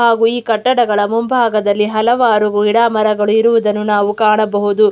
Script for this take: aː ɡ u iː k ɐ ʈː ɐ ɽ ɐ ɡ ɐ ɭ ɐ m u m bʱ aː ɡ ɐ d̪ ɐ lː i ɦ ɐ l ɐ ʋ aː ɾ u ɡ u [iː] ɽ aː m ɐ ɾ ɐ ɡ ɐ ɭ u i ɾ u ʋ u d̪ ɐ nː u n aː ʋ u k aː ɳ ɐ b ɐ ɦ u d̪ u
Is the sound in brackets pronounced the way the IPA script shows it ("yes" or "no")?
no